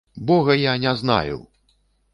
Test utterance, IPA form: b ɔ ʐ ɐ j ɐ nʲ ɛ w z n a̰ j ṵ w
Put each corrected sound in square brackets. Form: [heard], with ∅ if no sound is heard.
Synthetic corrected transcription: b ɔ [ɣ] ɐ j [a] nʲ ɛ [∅] z n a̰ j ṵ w

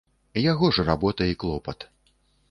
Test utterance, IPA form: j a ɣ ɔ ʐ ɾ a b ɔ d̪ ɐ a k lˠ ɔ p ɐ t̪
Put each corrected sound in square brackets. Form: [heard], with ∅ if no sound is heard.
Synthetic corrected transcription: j a ɣ ɔ ʐ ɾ a b ɔ [t̪] ɐ [i] k lˠ ɔ p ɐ t̪

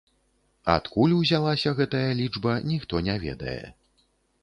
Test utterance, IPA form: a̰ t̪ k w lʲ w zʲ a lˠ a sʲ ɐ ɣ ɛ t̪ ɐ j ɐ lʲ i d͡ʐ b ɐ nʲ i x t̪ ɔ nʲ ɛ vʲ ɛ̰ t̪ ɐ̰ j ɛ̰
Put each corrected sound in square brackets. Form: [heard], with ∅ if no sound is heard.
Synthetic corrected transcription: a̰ t̪ k [u] lʲ w zʲ a lˠ a sʲ ɐ ɣ ɛ t̪ ɐ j ɐ lʲ i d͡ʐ b ɐ nʲ i x t̪ ɔ nʲ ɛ vʲ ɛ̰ [d̪] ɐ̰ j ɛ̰

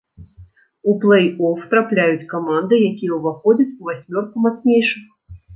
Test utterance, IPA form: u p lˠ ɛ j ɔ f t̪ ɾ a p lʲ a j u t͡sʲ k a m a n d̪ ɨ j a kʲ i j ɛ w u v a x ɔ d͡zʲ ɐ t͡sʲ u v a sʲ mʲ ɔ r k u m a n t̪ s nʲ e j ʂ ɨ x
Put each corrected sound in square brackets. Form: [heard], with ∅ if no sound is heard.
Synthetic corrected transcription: u p lˠ ɛ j ɔ f t̪ ɾ a p lʲ a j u t͡sʲ k a m a n d̪ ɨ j a kʲ i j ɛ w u v a x ɔ d͡zʲ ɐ t͡sʲ u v a sʲ mʲ ɔ r k u m a [∅] t̪ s nʲ e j ʂ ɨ x

